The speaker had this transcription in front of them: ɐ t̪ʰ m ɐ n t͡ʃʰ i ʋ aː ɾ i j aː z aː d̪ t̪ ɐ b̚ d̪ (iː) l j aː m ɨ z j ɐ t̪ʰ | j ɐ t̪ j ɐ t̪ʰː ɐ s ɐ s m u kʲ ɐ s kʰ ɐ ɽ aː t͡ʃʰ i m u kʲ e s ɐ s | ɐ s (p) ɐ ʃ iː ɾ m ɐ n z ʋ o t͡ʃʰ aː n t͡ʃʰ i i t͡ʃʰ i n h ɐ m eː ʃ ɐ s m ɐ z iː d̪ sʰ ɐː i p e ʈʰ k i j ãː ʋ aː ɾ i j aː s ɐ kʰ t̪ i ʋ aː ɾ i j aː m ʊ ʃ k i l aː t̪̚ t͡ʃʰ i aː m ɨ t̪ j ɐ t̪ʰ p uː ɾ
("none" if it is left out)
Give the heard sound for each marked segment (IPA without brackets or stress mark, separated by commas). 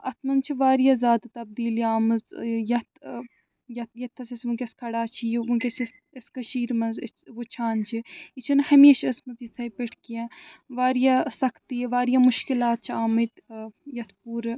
iː, k